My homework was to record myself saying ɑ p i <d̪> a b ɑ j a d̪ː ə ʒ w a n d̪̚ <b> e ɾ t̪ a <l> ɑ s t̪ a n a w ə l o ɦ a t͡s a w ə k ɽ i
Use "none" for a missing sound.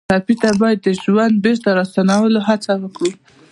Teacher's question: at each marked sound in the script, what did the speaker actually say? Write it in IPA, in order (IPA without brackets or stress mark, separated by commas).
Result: t̪, b, ɾ